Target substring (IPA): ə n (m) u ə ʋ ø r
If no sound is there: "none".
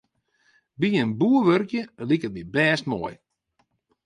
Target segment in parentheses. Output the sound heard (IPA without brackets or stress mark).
b